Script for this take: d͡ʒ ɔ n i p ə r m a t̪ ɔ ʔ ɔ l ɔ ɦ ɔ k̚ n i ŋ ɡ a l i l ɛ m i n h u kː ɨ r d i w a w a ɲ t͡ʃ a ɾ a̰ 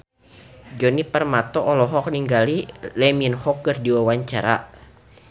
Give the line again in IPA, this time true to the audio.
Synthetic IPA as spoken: d͡ʒ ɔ n i p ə r m a t̪ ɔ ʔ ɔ l ɔ ɦ ɔ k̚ n i ŋ ɡ a l i l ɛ m i n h ɔ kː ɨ r d i w a w a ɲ t͡ʃ a ɾ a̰